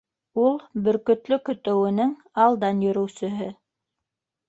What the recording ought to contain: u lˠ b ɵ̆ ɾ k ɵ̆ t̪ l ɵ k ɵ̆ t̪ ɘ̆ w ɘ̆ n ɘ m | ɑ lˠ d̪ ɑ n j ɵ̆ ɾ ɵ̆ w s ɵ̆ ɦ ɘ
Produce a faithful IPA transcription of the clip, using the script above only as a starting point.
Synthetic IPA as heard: u lˠ b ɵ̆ ɾ k ɵ̆ t̪ l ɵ k ɵ̆ t̪ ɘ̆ w ɘ̆ n ɘ ŋ | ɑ lˠ d̪ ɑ n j ɵ̆ ɾ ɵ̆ w s ɵ̆ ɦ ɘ